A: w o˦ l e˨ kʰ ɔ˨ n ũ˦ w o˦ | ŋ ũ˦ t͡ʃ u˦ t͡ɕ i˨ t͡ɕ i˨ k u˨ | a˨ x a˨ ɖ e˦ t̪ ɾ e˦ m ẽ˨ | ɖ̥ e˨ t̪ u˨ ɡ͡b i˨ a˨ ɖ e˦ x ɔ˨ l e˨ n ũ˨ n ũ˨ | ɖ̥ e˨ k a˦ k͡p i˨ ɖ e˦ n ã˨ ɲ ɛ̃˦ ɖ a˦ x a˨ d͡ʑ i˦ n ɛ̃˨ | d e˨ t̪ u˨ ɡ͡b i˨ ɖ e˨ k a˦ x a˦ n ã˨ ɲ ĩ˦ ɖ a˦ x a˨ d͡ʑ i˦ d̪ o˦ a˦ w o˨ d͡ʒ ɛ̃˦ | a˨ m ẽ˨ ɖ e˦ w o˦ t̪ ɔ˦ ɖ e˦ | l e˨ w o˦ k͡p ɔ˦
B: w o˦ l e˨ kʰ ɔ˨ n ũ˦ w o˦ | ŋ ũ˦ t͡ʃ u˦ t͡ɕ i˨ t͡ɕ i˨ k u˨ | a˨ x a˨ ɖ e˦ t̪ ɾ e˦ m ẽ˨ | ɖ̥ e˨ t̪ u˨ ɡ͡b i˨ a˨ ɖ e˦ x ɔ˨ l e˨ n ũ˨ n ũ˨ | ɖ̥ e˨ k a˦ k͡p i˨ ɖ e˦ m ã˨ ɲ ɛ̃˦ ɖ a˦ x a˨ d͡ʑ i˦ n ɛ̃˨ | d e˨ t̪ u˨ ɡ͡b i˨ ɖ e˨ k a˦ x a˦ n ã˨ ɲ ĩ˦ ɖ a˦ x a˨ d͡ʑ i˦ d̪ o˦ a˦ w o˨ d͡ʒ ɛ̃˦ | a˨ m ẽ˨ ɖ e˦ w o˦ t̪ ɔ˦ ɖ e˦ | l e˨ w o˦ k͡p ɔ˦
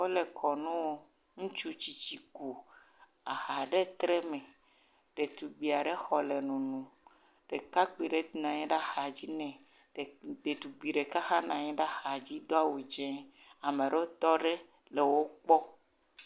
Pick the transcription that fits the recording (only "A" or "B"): A